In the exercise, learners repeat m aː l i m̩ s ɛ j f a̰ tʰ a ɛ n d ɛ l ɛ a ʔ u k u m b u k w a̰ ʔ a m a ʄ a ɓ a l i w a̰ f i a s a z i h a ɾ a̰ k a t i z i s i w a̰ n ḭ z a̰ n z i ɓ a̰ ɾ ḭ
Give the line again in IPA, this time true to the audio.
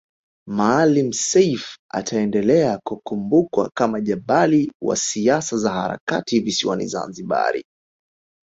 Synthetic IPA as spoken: m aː l i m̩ s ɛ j f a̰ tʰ a ɛ n d ɛ l ɛ a k u k u m b u k w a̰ k a m a ʄ a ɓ a l i w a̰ s i a s a z a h a ɾ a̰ k a t i v i s i w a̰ n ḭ z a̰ n z i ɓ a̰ ɾ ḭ